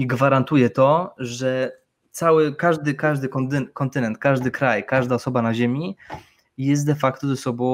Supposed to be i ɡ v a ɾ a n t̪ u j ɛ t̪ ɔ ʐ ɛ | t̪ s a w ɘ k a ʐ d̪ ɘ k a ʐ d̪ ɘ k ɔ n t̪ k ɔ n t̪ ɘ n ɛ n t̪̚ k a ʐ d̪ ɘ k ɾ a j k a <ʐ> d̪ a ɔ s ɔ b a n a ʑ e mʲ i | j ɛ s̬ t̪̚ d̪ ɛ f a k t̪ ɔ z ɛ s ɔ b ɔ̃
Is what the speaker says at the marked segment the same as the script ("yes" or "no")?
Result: yes